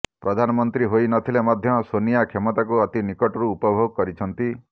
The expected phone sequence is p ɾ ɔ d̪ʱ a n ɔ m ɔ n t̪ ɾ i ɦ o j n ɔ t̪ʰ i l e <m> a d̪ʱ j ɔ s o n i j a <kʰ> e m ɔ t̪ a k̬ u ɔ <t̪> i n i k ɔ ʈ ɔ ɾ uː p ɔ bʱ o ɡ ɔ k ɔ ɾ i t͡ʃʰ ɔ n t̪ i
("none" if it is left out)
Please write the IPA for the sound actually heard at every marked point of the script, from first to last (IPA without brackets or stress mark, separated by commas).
m, kʰ, t̪